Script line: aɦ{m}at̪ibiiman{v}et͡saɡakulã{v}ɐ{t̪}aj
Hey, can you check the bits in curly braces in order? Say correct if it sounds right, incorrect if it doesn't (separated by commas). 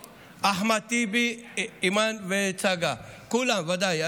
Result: correct, incorrect, incorrect, incorrect